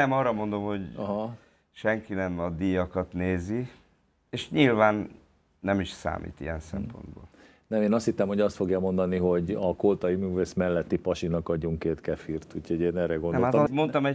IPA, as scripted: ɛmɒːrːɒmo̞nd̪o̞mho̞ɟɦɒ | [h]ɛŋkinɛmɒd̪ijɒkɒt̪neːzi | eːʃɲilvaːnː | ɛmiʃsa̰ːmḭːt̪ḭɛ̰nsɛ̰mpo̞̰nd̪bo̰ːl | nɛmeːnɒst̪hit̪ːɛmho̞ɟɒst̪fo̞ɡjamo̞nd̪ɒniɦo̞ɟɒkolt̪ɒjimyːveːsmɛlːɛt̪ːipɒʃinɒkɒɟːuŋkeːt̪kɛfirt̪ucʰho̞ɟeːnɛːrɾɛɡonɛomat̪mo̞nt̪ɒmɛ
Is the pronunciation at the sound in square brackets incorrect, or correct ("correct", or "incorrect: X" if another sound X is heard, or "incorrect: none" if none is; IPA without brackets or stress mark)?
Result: incorrect: ʃ